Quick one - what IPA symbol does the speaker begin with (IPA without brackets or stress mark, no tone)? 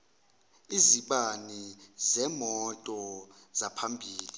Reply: i